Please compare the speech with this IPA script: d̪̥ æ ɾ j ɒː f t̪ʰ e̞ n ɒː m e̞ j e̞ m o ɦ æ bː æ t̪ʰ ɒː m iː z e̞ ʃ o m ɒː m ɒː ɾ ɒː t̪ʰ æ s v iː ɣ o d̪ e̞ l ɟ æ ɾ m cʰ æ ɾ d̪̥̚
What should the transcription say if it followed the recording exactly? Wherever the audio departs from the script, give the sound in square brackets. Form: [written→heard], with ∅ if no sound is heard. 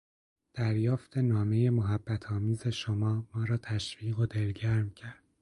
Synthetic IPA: d̪̥ æ ɾ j ɒː f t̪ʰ e̞ n ɒː m e̞ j e̞ m o ɦ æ bː æ t̪ʰ ɒː m iː z e̞ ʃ o m ɒː m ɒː ɾ ɒː t̪ʰ æ [s→ʃ] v iː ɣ o d̪ e̞ l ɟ æ ɾ m cʰ æ ɾ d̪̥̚